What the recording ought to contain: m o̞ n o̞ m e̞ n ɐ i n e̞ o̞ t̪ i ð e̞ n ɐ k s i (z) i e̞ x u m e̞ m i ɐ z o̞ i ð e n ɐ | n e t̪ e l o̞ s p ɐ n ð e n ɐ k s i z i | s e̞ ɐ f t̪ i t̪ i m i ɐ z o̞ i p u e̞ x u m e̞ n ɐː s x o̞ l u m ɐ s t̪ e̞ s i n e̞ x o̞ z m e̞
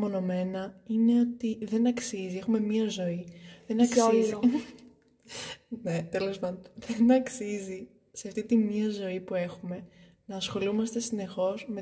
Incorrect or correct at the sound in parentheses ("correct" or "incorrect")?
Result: correct